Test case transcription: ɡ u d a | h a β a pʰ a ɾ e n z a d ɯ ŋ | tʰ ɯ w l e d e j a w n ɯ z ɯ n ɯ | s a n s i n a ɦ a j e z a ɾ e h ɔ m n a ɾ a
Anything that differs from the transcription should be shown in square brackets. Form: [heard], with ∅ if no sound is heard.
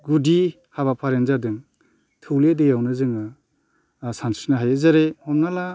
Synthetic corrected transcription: ɡ u d [i] | h a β a pʰ a ɾ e n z a d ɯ ŋ | tʰ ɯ w l e d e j a w n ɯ z ɯ [ŋ] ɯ | s a n s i n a ɦ a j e z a ɾ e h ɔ m n a [l] a

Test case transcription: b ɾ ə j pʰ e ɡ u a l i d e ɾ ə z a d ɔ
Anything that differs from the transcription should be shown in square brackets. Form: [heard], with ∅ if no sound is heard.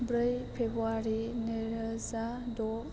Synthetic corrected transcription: b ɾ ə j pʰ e [b] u a [ɾ] i [n] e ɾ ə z a d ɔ

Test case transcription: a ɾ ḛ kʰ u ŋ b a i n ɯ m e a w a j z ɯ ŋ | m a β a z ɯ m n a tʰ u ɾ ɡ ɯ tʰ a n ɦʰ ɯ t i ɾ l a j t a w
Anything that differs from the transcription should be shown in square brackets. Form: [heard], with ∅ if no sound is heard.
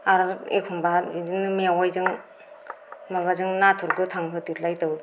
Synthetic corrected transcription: a ɾ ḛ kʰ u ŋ b a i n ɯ m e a w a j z ɯ ŋ | m a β a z ɯ [ŋ] n a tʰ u ɾ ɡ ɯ tʰ a [ŋ] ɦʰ ɯ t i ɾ l a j t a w

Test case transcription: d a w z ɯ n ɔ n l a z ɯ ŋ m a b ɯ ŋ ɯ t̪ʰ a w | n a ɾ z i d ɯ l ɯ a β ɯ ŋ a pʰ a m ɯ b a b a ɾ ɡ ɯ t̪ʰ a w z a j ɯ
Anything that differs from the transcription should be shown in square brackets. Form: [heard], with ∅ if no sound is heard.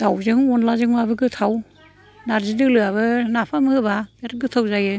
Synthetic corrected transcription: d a w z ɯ [ŋ] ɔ n l a z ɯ ŋ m a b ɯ [ɡ] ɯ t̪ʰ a w | n a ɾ z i d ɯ l ɯ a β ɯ [n] a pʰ a m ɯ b a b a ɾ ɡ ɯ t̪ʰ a w z a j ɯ

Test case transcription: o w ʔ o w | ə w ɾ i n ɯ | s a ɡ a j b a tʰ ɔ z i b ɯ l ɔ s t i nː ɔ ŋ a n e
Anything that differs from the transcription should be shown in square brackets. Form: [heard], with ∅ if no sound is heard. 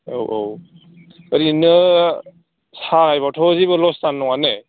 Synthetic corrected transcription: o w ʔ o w | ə [∅] ɾ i n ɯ | s a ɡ a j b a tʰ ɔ z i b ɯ l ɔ s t [a] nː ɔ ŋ a n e

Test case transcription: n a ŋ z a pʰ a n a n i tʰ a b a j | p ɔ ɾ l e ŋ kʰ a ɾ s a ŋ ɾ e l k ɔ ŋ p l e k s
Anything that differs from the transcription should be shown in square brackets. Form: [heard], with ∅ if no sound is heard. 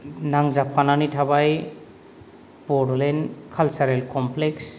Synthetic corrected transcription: n a ŋ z a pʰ a n a n i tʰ a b a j | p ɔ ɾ l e [n] kʰ a [l] s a [∅] ɾ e l k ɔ [m] p l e k s

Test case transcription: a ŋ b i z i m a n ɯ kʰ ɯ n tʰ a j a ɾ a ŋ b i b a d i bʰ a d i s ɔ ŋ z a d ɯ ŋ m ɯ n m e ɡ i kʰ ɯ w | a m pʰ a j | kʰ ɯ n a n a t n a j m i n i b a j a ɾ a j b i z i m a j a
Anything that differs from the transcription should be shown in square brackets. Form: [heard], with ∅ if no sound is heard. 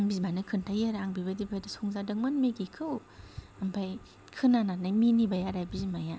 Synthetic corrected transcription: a ŋ b i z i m a n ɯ kʰ ɯ n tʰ a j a ɾ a ŋ b i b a d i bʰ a d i s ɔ ŋ z a d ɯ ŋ m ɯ n m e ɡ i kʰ ɯ w | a m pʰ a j | kʰ ɯ n a n a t n a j m i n i b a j a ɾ a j b i z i m a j a

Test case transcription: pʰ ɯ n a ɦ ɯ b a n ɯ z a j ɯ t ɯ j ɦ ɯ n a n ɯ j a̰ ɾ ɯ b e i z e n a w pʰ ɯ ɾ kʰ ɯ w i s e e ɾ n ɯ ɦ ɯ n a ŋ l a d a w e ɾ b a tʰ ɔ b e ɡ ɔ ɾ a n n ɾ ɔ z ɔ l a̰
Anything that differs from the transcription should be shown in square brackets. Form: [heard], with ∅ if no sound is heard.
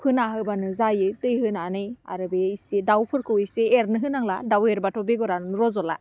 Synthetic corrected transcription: pʰ ɯ n a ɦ ɯ b a n ɯ z a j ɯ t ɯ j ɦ ɯ n a n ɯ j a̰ ɾ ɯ b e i [s] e [d] a w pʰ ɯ ɾ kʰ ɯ w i s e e ɾ n ɯ ɦ ɯ n a ŋ l a d a w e ɾ b a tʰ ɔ b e ɡ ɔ ɾ a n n ɾ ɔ z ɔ l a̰

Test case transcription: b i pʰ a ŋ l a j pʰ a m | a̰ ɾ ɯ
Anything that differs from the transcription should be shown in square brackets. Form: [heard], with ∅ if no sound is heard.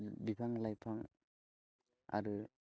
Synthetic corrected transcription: b i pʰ a ŋ l a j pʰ a [ŋ] | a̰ ɾ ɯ

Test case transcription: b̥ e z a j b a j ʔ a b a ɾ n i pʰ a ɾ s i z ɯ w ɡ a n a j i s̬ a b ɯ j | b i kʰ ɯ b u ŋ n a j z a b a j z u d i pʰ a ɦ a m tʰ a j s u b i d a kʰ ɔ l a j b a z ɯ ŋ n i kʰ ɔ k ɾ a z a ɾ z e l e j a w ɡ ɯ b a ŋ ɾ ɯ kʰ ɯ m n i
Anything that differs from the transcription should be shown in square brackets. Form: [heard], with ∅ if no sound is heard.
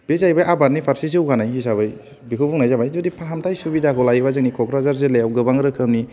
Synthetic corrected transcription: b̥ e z a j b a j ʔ a b a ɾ n i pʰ a ɾ s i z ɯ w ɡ a n a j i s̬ a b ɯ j | b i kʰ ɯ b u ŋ n a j z a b a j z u d i pʰ a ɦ a m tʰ a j s u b i d a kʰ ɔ l a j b a z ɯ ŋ n i kʰ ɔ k ɾ a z a ɾ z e l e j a w ɡ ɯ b a ŋ ɾ ɯ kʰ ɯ m n i

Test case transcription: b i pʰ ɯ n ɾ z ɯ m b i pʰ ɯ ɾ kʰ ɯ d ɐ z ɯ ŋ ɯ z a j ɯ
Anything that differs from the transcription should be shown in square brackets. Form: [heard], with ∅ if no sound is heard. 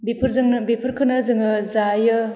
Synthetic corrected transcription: b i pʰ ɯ [∅] ɾ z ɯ [ŋ] b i pʰ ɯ ɾ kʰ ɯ [n] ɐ z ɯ ŋ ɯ z a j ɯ

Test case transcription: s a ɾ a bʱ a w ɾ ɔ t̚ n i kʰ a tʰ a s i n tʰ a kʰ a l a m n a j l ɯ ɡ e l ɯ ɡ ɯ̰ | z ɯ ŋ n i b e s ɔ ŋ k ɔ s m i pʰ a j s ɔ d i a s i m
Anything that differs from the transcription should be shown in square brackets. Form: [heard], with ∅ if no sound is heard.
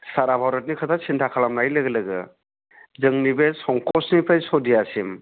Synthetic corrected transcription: s a ɾ a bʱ a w ɾ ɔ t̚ n i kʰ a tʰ a s i n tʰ a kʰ a l a m n a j l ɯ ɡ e l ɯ ɡ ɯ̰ | z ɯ ŋ n i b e s ɔ ŋ k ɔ s [n] i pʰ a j s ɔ d i a s i m

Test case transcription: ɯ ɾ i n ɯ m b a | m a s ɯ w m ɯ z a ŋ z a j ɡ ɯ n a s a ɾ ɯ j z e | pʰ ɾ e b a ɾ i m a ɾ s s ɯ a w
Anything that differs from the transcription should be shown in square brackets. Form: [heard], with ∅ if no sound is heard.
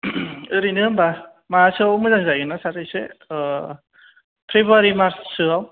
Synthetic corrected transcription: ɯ ɾ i n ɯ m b a | m a s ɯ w m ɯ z a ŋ z a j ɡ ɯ n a s a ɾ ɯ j [s] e | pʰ ɾ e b a ɾ i m a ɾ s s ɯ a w

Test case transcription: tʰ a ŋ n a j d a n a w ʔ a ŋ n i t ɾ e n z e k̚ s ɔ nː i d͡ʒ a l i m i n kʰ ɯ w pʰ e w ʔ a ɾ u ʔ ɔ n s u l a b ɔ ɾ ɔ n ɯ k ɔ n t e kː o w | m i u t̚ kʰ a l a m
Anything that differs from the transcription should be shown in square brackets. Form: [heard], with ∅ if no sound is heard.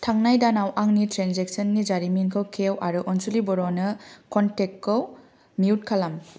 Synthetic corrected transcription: tʰ a ŋ n a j d a n a w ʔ a ŋ n i t ɾ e n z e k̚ s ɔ nː i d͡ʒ a [ɾ] i m i n kʰ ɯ w [kʰ] e w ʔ a ɾ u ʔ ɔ n s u l [i] b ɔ ɾ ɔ n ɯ k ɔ n t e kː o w | m i u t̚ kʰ a l a m

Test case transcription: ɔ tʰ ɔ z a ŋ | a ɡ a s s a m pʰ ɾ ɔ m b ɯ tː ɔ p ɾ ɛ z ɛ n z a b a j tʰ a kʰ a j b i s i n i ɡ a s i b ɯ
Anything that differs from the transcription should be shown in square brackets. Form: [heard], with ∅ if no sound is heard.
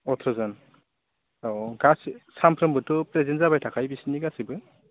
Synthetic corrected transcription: ɔ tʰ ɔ z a [n] | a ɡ a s s a m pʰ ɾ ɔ m b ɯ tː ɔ p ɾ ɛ z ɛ n z a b a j tʰ a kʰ a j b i s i n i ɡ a s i b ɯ

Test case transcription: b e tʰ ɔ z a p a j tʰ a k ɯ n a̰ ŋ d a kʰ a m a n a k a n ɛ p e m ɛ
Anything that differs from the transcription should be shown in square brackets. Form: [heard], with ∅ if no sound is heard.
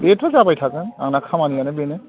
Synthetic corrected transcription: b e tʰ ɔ z a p a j tʰ a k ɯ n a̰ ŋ [n] a kʰ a m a n [i] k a n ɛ [b] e [n] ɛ

